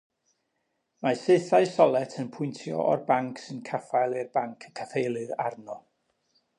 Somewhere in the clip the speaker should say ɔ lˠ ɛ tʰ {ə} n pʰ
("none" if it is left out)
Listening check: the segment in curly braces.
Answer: ə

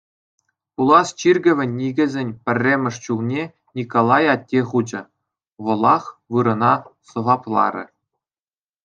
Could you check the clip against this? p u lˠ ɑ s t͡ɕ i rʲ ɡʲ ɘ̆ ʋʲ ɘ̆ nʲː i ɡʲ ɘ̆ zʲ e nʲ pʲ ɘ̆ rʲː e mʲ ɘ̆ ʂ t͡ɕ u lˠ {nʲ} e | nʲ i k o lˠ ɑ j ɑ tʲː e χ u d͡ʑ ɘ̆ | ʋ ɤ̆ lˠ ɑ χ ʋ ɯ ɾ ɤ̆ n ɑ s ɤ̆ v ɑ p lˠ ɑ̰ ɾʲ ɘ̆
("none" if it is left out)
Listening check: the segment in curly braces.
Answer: nʲ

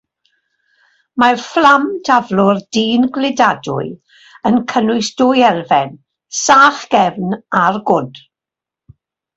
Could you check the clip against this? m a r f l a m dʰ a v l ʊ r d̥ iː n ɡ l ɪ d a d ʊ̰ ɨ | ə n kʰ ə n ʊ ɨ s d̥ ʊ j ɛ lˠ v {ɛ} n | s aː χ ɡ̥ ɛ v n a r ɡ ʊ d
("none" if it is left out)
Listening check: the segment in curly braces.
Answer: ɛ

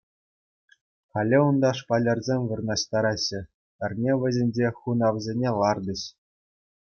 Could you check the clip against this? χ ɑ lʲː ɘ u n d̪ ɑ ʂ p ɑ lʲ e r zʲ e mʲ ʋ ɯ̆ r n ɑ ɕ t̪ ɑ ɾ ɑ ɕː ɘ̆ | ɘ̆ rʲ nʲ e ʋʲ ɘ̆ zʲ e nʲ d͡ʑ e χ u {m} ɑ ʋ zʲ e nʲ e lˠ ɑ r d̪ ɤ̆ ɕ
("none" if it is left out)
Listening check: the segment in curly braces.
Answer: n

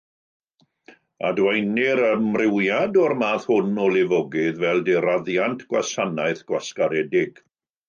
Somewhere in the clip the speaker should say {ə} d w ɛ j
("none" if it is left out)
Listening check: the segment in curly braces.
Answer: a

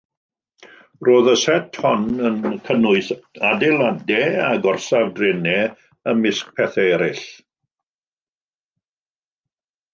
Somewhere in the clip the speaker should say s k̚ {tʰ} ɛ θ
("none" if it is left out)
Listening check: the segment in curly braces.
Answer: pʰ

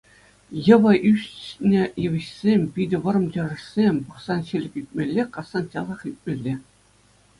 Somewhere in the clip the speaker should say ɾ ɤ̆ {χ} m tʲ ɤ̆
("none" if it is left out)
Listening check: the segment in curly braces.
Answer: none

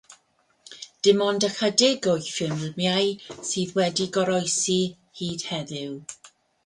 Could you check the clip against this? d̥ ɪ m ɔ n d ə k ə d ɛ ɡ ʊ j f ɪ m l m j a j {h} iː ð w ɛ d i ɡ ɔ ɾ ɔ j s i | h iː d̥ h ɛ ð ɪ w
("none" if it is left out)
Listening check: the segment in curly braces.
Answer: s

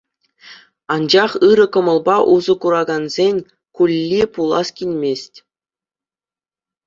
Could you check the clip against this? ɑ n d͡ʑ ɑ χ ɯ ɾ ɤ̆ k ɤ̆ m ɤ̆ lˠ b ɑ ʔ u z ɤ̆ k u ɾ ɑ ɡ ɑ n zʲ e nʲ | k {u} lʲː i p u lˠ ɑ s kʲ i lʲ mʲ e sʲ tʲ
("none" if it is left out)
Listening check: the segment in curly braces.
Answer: u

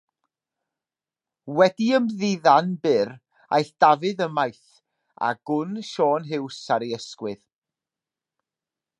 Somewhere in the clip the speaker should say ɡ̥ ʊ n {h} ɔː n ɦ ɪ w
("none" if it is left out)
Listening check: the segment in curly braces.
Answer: ʃ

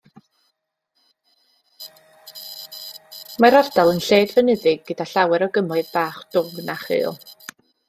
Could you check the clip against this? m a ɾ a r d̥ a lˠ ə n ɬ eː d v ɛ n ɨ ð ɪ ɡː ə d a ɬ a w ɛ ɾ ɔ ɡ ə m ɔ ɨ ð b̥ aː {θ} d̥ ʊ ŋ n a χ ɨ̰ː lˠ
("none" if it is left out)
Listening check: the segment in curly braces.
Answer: χ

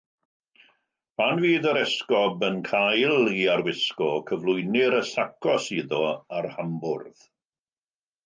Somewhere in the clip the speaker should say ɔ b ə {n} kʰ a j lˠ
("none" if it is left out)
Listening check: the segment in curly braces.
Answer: n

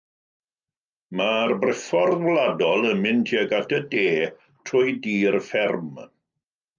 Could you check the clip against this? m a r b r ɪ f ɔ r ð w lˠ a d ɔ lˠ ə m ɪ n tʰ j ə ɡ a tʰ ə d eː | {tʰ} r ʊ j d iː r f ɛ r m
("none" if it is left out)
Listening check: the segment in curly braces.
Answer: tʰ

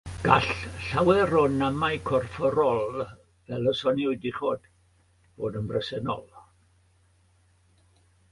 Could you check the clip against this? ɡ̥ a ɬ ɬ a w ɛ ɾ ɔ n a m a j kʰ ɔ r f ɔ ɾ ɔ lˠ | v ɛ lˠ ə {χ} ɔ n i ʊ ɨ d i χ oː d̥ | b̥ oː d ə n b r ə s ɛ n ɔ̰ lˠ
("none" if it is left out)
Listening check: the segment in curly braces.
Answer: s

